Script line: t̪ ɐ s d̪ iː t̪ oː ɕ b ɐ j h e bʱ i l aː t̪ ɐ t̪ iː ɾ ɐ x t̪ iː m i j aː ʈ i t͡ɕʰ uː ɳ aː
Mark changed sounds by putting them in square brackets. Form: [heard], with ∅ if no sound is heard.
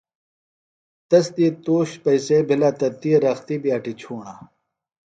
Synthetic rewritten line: t̪ ɐ s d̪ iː t̪ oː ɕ [p] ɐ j [s] e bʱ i l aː t̪ ɐ t̪ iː ɾ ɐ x t̪ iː [b] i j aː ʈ i t͡ɕʰ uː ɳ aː